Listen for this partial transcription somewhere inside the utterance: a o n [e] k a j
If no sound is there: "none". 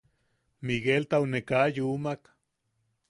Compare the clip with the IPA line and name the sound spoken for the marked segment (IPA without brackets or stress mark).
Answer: e